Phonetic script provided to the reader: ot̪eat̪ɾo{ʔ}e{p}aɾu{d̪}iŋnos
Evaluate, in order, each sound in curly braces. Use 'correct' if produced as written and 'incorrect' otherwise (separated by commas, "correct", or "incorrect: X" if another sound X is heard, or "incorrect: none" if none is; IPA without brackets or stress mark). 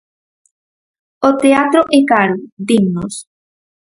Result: correct, incorrect: k, correct